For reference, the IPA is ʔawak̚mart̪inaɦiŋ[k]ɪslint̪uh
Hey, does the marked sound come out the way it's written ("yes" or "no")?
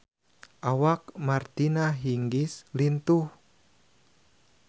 no